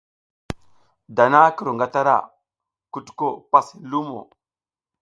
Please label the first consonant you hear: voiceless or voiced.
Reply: voiced